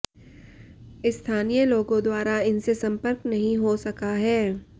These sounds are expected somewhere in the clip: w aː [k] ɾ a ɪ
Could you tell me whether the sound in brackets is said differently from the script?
yes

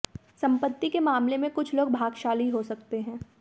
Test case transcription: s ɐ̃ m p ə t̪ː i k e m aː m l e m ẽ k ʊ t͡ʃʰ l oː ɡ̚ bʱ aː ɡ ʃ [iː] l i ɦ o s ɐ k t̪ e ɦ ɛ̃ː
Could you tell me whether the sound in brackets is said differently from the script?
yes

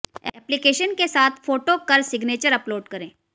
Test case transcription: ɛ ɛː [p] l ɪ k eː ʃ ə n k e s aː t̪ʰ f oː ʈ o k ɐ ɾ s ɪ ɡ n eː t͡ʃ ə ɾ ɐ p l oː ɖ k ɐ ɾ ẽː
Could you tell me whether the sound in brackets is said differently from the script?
no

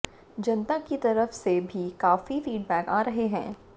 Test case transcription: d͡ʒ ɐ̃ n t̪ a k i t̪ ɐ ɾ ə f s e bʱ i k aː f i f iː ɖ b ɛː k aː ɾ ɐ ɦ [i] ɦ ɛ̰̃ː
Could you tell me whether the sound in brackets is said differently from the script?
yes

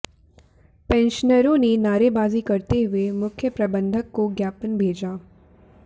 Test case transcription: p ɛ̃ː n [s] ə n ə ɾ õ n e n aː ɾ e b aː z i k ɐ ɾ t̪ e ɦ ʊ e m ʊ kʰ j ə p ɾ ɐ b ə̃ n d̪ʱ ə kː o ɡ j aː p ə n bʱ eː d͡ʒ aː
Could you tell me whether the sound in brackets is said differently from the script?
yes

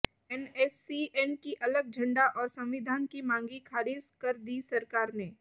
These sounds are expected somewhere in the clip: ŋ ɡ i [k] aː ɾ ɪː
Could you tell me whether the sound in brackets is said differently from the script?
yes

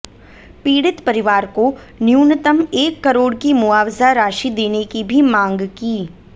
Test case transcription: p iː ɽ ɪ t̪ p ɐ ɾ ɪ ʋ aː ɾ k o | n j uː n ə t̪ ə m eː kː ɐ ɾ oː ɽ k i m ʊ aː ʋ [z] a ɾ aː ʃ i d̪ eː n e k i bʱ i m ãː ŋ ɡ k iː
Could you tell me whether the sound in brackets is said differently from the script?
no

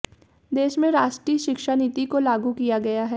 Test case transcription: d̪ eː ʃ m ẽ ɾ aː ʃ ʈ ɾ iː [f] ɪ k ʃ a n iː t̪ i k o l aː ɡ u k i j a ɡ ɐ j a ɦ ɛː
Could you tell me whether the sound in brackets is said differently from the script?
yes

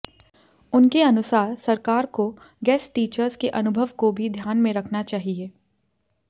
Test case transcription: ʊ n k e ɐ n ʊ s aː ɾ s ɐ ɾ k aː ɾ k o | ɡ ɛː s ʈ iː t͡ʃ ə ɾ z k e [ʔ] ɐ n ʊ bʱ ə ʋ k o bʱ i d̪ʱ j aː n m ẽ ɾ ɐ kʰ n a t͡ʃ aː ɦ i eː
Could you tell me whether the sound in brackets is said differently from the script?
no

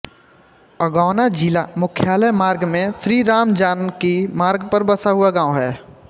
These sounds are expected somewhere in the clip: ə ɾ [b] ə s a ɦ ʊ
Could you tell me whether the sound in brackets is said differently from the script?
no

